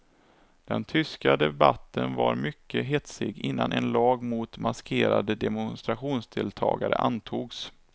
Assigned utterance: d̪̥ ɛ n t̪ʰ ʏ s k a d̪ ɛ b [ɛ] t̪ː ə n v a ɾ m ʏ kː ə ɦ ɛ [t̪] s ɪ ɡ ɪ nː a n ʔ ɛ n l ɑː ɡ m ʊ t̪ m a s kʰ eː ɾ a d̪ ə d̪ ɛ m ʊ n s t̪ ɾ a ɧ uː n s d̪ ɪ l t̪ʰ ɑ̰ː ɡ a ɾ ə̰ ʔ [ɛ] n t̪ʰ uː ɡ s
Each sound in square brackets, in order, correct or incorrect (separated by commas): incorrect, correct, incorrect